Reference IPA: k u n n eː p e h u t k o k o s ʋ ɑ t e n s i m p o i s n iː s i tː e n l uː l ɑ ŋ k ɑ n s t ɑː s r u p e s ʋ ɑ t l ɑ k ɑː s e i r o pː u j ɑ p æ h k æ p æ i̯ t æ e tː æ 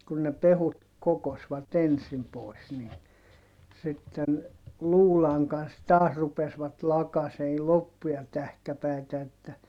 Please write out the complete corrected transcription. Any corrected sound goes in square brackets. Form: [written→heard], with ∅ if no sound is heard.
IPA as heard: k u n n [eː→e] p e h u t k o k o s ʋ ɑ t e n s i m p o i s n iː s i tː e n l uː l ɑ ŋ k ɑ n s t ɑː s r u p e s ʋ ɑ t l ɑ k [ɑː→ɑ] s e i [r→l] o pː u j ɑ [p→t] æ h k æ p æ i̯ t æ e tː æ